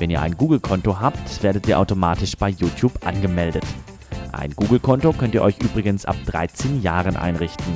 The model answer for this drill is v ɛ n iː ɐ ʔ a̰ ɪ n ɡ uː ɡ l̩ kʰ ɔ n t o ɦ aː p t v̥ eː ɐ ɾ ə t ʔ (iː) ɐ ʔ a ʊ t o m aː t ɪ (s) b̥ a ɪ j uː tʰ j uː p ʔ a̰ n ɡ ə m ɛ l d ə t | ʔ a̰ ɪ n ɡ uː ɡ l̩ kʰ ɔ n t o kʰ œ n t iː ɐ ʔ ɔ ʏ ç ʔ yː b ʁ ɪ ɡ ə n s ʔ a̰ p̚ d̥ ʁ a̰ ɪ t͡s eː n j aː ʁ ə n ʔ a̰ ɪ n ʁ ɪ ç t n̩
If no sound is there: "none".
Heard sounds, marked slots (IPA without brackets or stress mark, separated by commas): iː, ʃ